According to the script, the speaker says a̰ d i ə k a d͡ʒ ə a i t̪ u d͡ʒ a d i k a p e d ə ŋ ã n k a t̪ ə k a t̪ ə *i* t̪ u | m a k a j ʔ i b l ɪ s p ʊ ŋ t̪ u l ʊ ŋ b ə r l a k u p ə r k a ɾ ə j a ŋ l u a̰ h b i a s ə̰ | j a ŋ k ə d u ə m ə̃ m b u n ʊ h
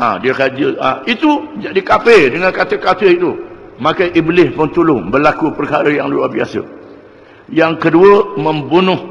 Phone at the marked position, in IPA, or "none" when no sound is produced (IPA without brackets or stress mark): i